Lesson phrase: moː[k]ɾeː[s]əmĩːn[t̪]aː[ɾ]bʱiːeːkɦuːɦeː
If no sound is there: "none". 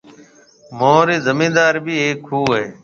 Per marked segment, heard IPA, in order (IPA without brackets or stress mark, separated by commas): none, z, d̪, ɾ